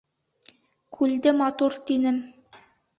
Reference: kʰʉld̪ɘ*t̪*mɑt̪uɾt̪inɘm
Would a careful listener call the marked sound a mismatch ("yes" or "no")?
yes